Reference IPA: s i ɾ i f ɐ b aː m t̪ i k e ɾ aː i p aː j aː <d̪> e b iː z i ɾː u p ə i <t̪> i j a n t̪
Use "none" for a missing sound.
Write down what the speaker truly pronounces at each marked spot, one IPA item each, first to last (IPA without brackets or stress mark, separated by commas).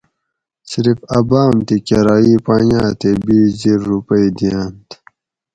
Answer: t̪, d̪